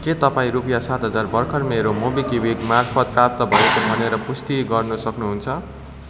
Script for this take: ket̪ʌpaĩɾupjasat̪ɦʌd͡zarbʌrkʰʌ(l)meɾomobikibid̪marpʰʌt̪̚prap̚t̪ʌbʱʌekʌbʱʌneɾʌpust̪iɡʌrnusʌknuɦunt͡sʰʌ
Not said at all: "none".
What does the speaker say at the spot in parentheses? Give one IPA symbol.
r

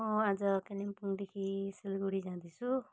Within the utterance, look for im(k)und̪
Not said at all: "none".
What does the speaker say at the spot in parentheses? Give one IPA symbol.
p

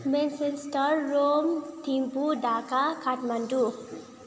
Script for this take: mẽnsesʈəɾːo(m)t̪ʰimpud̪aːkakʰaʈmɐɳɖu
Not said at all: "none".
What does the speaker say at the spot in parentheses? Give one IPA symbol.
m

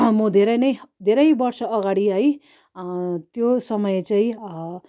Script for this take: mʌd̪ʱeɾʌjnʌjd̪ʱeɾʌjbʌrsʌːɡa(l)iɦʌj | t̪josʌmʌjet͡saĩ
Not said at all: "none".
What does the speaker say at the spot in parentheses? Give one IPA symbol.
ɽ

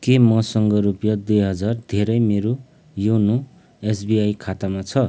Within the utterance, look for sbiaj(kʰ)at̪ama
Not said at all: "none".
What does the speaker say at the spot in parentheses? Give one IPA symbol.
kʰ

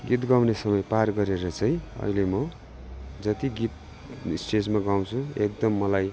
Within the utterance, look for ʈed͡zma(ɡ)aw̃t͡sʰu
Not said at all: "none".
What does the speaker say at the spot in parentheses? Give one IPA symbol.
ɡ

